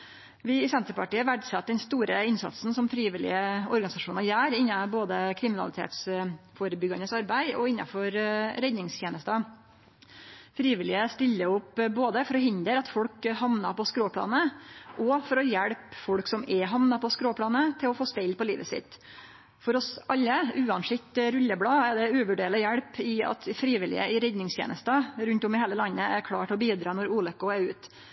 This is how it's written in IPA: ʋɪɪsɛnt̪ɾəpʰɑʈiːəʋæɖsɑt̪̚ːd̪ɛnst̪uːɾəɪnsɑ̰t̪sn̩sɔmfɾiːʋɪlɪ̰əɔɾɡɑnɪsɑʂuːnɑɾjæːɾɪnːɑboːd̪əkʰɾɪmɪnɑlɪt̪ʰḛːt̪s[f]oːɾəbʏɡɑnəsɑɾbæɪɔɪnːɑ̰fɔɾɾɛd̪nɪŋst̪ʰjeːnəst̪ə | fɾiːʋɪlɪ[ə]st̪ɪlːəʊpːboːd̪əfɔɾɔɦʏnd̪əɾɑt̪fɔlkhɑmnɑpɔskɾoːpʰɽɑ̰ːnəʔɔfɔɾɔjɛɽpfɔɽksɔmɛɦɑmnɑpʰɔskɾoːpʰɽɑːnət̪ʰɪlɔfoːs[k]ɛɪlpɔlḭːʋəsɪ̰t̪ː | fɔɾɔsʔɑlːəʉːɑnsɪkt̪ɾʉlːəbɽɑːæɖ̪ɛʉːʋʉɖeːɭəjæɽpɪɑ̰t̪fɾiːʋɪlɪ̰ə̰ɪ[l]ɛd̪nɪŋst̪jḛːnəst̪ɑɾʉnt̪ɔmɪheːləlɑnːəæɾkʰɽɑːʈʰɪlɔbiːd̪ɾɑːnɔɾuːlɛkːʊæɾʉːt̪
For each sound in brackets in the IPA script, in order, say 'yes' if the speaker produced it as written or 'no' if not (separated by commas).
yes, yes, no, no